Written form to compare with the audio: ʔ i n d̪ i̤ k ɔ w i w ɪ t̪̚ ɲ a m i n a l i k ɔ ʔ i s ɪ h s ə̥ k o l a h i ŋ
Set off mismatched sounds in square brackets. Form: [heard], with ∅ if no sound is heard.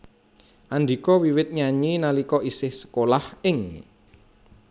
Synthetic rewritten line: ʔ [a] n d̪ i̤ k ɔ w i w ɪ t̪̚ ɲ a [ɲ] i n a l i k ɔ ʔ i s ɪ h s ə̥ k o l a h [ɪ] ŋ